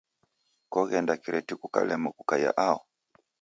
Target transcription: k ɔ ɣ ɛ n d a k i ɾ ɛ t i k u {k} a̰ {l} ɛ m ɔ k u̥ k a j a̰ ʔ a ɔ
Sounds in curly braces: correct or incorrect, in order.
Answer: correct, correct

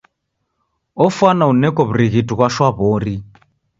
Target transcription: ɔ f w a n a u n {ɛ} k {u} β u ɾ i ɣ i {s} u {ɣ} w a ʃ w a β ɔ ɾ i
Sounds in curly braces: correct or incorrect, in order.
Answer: correct, incorrect: ɔ, incorrect: t, correct

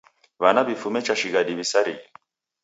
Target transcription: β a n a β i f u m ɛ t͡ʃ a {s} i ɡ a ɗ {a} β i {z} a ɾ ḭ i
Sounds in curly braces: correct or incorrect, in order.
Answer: incorrect: ʃ, incorrect: i, incorrect: s

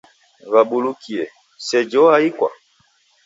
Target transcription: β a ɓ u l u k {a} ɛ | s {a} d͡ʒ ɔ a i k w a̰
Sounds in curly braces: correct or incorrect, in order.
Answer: incorrect: i, incorrect: ɛ

